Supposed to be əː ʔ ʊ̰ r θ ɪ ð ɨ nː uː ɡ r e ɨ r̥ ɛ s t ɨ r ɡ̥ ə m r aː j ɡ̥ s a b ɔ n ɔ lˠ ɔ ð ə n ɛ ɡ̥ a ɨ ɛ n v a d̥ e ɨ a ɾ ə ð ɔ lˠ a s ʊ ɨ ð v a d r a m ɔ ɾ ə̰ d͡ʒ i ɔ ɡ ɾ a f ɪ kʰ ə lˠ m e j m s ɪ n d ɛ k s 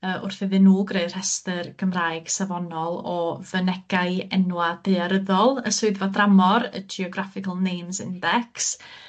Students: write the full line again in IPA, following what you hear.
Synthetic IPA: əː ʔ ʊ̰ r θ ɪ ð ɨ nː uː ɡ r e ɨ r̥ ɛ s t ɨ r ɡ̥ ə m r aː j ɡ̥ s a v ɔ n ɔ lˠ ɔ v ə n ɛ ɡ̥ a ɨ ɛ n w a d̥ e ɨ a ɾ ə ð ɔ lˠ ə s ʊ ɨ ð v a d r a m ɔ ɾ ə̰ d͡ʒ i ɔ ɡ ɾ a f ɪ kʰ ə lˠ n e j m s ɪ n d ɛ k s